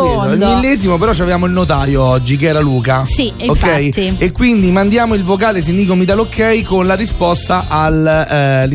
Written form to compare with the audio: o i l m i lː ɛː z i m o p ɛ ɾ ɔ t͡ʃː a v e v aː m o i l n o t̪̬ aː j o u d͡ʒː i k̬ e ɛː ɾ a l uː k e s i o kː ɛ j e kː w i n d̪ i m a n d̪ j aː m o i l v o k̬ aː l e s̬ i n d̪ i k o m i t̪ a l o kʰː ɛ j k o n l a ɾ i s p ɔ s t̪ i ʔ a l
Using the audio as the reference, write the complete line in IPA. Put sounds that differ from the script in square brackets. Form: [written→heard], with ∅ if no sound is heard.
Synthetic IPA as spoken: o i l m i lː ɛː z i m o p [ɛ→e] ɾ ɔ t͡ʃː a v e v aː m o i l n o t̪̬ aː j o [u→ɔ] d͡ʒː i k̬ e ɛː ɾ a l uː k [e→a] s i o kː ɛ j e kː w i n d̪ i m a n d̪ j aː m o i l v o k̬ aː l e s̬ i n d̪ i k o m i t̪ a l o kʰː ɛ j k o n l a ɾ i s p ɔ s t̪ [i→a] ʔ a l